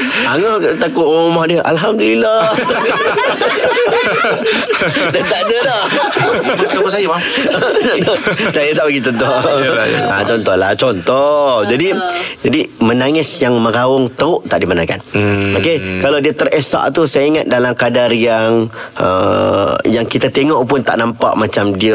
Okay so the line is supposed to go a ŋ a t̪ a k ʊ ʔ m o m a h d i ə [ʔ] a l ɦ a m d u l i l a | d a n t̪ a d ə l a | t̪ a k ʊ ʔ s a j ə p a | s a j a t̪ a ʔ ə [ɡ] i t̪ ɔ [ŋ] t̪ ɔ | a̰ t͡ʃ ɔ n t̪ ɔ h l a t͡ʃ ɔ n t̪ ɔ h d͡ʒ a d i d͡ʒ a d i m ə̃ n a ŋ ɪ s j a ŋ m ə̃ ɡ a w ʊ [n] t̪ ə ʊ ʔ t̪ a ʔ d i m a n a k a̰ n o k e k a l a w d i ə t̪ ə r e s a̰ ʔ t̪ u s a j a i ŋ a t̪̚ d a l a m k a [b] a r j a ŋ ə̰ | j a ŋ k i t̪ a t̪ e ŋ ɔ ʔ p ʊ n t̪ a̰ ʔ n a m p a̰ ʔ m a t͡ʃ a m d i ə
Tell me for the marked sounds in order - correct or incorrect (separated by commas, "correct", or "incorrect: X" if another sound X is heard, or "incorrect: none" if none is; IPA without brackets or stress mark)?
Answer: correct, correct, incorrect: n, incorrect: ŋ, incorrect: d